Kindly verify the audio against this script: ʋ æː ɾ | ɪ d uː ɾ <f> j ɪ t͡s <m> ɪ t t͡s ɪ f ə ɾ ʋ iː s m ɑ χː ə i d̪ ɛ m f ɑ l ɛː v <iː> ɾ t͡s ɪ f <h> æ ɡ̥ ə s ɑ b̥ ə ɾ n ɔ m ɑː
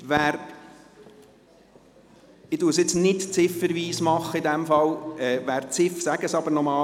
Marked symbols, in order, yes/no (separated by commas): no, no, no, no